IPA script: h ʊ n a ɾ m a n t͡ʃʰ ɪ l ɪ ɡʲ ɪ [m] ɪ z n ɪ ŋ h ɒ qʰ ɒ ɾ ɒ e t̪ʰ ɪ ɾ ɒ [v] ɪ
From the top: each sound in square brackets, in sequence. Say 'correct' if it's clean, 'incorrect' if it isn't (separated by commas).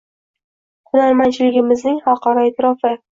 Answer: correct, incorrect